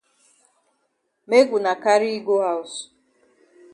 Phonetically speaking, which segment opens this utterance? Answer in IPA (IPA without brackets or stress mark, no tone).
m